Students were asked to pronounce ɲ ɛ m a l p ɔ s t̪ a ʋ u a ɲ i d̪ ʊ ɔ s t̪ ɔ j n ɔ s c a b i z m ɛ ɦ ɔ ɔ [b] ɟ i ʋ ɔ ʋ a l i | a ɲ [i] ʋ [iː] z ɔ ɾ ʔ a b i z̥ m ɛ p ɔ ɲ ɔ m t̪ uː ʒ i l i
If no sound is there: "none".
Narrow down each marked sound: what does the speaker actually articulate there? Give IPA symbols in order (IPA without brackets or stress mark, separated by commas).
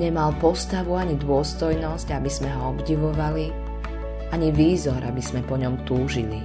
b, i, iː